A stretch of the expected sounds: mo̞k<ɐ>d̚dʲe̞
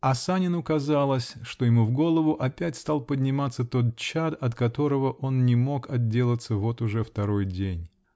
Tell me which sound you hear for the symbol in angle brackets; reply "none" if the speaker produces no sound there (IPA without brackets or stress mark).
ɐ